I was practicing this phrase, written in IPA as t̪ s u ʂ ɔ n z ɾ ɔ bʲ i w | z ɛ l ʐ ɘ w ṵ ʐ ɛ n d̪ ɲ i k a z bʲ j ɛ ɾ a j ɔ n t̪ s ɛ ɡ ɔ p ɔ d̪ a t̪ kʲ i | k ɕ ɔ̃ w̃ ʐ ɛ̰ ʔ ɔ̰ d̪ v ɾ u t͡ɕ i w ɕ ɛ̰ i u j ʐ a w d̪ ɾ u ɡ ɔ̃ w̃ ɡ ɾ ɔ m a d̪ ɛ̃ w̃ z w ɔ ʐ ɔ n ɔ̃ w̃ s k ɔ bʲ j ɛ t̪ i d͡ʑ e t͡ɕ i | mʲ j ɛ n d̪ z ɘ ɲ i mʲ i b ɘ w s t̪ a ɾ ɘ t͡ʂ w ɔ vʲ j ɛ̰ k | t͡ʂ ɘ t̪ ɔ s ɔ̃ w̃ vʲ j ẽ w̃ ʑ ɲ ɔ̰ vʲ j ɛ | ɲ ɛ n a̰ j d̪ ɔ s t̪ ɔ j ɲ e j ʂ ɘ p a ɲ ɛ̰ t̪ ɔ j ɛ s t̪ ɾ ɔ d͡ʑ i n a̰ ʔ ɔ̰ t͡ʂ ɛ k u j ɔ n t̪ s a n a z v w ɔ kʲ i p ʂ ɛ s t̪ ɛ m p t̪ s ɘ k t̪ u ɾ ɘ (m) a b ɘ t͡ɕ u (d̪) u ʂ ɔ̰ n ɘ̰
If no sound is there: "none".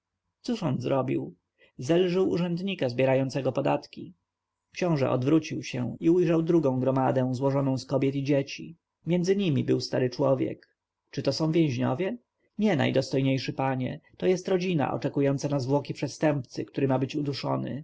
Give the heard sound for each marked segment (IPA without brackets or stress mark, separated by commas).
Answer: m, d̪